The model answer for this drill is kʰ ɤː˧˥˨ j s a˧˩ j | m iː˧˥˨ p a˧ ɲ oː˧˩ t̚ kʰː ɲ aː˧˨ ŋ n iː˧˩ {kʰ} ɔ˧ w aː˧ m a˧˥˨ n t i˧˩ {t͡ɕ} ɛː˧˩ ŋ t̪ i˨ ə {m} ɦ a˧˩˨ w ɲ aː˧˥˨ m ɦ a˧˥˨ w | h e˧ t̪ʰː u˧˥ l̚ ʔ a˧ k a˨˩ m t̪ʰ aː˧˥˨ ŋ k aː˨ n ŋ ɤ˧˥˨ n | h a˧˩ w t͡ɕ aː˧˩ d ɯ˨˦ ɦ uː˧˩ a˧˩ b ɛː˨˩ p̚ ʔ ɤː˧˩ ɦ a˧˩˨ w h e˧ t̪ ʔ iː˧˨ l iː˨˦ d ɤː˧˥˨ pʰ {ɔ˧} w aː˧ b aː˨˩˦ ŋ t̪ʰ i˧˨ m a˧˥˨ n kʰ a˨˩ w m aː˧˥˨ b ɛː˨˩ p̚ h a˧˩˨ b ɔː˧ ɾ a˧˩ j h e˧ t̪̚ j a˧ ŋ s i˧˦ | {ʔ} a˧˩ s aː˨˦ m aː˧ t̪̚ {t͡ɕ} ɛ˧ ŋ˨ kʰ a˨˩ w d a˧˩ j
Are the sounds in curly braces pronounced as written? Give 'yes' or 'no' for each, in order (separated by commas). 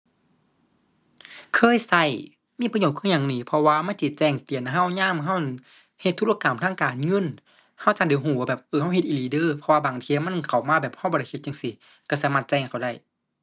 no, yes, no, yes, no, yes